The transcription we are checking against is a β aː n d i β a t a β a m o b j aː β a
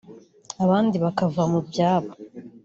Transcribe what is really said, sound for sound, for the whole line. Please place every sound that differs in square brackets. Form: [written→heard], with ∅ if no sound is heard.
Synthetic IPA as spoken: a β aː n d i β a [t→k] a [β→v] a m [o→u] b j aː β a